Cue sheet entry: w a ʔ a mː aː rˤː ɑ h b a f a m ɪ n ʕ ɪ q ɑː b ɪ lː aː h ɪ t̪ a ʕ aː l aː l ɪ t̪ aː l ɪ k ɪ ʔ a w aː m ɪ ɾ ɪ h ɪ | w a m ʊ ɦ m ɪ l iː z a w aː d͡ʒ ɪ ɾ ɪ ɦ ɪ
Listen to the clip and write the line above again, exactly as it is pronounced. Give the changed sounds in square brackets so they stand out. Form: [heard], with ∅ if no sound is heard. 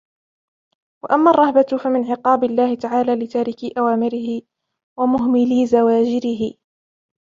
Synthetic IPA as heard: w a ʔ a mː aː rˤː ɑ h b a f a m ɪ n ʕ ɪ q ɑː b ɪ lː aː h ɪ t̪ a ʕ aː l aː l ɪ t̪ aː [ɾ] ɪ k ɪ ʔ a w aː m ɪ ɾ ɪ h ɪ | w a m ʊ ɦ m ɪ l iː z a w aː d͡ʒ ɪ ɾ ɪ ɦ ɪ